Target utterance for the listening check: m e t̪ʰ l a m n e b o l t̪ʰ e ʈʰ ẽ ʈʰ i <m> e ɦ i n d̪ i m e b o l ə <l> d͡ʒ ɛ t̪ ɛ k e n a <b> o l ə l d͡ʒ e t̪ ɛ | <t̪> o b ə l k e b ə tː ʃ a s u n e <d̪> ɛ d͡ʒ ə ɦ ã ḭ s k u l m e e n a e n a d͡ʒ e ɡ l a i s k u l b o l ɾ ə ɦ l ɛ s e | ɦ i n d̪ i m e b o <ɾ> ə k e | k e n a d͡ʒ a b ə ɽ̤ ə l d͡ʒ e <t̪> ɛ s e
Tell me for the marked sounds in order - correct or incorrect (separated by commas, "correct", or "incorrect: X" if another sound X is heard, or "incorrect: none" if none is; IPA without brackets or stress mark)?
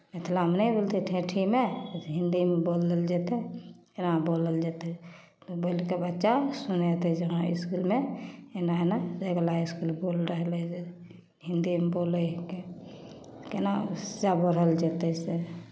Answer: correct, correct, correct, correct, incorrect: t̪, incorrect: l, correct